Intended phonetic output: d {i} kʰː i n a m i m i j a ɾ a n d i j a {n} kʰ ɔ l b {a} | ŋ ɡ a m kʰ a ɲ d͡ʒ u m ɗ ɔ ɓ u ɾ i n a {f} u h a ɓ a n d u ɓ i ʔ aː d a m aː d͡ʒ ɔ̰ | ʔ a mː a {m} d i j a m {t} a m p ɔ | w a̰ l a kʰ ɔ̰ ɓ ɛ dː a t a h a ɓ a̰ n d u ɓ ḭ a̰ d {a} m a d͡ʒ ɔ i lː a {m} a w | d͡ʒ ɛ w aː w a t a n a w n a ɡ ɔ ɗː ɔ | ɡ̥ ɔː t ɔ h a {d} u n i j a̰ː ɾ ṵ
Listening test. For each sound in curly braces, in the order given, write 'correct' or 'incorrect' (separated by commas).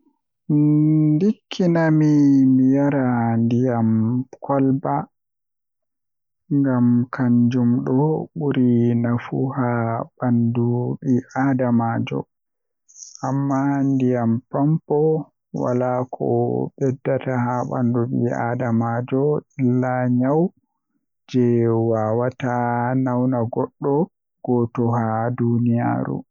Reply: correct, incorrect, correct, correct, incorrect, incorrect, correct, incorrect, correct